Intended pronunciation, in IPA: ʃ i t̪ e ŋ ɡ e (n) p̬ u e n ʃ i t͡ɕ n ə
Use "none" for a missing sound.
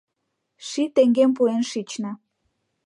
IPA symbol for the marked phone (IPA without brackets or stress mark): m